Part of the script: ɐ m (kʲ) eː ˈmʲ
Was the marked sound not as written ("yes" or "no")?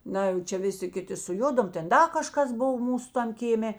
no